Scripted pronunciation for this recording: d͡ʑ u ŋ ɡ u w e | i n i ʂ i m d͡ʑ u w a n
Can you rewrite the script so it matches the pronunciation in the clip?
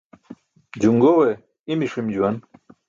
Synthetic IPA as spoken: d͡ʑ u ŋ ɡ o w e | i m i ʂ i m d͡ʑ u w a n